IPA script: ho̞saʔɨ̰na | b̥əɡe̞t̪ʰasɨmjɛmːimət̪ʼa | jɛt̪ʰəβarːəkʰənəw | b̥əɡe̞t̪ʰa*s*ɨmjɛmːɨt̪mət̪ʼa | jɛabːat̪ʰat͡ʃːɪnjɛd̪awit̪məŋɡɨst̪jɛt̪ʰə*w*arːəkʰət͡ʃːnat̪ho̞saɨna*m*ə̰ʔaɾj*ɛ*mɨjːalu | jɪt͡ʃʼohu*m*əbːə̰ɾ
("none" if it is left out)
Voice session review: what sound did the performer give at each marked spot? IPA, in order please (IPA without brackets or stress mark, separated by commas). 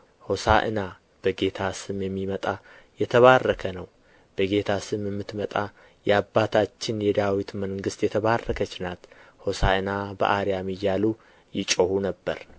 s, β, b, a, n